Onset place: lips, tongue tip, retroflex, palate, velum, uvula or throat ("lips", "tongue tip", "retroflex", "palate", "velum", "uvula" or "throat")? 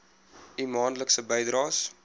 lips